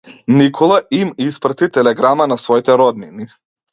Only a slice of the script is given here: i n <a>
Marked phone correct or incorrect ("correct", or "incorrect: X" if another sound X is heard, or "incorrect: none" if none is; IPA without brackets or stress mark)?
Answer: incorrect: i